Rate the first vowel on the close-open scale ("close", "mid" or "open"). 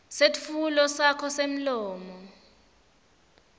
mid